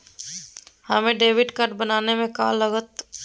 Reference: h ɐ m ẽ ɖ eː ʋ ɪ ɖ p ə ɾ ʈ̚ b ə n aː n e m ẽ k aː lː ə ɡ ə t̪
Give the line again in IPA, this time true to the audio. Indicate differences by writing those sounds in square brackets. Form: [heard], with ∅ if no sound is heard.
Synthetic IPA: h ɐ m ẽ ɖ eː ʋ ɪ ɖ [k] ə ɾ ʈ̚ b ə n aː n e m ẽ k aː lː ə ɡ ə t̪